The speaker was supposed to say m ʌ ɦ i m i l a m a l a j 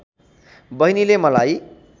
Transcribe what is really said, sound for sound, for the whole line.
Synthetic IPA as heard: b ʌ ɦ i n i l e m ʌ l a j